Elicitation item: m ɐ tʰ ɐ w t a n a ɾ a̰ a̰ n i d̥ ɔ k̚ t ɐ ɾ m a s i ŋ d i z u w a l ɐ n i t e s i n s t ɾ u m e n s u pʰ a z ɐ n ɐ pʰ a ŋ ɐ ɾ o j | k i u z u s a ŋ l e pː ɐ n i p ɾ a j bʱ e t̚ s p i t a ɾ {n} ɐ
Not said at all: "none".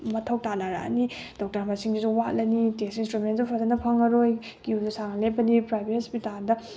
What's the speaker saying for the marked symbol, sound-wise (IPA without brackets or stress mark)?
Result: d